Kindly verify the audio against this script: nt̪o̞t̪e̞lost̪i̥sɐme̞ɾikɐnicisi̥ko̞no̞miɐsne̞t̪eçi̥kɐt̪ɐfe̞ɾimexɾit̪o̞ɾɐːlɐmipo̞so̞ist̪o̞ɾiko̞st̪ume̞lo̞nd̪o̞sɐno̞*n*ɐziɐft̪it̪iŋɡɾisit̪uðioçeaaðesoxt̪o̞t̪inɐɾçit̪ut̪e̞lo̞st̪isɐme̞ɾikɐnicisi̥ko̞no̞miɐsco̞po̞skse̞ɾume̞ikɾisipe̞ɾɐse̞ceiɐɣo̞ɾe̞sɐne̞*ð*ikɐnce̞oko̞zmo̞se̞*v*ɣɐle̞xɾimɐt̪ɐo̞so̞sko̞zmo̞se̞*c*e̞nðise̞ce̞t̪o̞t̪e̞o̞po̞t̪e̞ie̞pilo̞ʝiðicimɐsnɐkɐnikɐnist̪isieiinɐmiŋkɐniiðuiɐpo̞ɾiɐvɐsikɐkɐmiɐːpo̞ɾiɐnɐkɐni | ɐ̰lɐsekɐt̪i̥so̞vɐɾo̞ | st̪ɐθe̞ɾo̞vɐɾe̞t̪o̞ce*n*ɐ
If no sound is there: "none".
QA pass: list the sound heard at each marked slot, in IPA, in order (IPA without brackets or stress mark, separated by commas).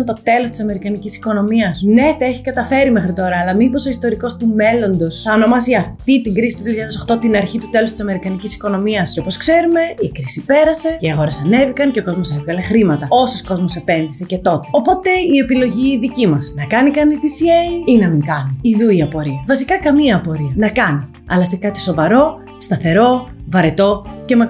m, v, v, p, m